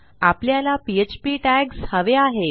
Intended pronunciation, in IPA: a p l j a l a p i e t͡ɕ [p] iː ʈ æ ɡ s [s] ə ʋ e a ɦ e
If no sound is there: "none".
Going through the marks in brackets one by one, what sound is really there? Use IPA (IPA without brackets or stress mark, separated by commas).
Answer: p, h